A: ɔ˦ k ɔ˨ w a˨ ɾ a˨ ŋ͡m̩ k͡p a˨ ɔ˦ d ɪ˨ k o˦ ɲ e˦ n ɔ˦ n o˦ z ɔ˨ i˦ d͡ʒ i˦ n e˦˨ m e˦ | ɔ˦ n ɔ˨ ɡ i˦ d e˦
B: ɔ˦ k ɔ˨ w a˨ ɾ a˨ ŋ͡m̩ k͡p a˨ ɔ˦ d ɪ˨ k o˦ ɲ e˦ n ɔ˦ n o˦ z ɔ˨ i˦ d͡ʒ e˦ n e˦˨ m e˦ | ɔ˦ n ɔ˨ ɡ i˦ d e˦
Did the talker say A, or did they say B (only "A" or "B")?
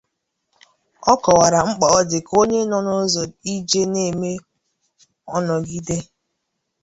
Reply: B